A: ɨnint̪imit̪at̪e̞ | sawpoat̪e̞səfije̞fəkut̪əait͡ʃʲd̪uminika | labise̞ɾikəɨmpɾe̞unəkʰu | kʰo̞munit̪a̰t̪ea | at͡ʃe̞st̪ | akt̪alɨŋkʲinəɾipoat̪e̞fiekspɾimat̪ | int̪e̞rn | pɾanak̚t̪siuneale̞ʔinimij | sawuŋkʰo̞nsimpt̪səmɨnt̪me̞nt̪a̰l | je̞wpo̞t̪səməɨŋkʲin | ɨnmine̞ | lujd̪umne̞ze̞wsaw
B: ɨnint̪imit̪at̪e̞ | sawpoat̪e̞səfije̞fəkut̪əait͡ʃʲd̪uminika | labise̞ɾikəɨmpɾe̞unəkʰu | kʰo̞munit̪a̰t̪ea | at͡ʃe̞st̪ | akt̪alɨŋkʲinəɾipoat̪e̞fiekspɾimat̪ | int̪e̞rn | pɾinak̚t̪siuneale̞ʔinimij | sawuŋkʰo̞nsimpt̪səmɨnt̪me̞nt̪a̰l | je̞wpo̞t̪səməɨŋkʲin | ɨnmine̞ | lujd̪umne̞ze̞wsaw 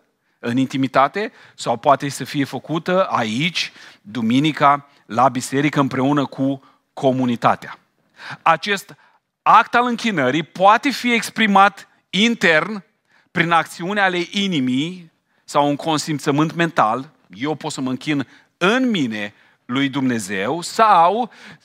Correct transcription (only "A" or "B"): B